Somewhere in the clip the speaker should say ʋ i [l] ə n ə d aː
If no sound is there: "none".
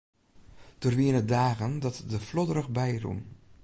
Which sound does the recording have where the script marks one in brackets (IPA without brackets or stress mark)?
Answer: none